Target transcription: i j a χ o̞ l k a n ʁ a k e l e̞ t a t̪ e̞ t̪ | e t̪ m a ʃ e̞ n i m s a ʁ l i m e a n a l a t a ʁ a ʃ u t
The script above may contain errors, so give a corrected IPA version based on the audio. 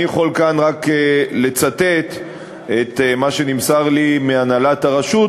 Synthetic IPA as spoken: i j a χ o̞ l k a n ʁ a k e l e̞ t͡s a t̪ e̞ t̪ | e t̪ m a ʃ e̞ n i m s a ʁ l i m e a n a l a t a ʁ a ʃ u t